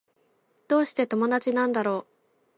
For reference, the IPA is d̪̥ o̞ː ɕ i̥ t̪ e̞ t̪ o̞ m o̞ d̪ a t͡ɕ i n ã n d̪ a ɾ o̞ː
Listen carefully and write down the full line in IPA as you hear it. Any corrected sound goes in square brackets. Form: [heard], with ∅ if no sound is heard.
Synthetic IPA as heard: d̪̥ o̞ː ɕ i̥ t̪ e̞ t̪ o̞ m o̞ d̪ a t͡ɕ i n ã n d̪ a ɾ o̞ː